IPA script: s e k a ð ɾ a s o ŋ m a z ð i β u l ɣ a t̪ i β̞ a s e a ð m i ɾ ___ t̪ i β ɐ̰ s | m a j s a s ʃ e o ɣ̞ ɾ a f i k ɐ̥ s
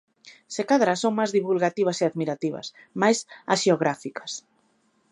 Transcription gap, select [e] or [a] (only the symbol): a